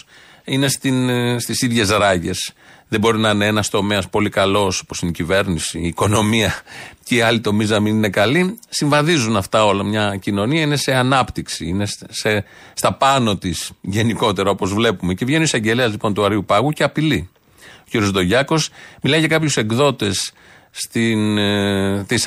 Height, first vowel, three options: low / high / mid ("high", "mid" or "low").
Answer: high